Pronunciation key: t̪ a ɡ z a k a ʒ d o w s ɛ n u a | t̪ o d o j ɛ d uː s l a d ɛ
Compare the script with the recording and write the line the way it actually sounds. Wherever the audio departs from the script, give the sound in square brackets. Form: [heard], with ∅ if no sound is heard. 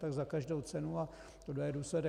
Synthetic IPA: t̪ a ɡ z a k a ʒ d o w [t͡s] ɛ n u a | t̪ o d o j ɛ d uː s l [ɛ] d ɛ